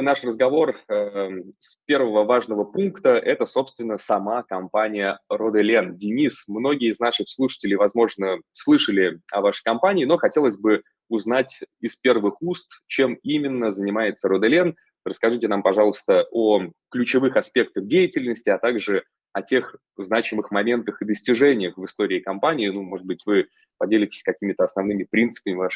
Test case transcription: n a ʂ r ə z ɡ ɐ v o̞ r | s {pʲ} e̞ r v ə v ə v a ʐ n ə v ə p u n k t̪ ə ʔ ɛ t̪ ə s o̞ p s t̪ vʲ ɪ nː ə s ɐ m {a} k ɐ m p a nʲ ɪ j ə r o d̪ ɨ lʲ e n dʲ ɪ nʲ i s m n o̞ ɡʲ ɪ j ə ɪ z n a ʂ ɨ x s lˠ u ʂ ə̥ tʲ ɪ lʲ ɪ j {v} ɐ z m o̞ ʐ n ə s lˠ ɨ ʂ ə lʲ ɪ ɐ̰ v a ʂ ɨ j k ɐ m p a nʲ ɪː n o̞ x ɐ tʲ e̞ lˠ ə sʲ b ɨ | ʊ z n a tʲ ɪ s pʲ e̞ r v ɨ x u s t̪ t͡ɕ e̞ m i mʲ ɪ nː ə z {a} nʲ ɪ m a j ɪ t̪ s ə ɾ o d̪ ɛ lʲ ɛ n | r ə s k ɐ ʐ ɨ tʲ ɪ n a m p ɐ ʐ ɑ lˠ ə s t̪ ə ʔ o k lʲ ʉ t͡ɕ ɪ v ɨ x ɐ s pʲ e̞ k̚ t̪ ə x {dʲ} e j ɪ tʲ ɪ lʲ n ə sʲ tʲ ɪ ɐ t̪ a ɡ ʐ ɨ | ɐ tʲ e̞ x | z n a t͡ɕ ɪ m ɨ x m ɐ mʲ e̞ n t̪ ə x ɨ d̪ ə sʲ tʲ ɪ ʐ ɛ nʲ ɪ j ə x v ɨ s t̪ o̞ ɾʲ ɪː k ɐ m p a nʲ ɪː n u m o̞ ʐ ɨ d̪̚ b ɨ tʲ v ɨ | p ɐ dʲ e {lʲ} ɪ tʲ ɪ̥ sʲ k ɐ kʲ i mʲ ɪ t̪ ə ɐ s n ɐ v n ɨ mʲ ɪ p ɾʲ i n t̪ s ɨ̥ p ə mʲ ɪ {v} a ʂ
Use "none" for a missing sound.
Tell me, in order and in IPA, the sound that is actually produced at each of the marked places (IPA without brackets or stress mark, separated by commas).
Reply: pʲ, a, v, ə, dʲ, lʲ, v